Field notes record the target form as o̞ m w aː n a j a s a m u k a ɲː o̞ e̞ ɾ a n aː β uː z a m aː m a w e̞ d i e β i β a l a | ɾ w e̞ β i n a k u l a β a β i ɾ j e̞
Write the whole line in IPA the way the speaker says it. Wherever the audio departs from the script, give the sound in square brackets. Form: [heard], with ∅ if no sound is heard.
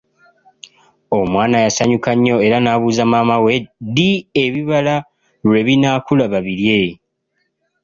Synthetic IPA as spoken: o̞ m w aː n a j a s a [ɲ] u k a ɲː o̞ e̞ ɾ a n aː β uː z a m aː m a w e̞ d i e β i β a l a | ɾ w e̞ β i n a k u l a β a β i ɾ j e̞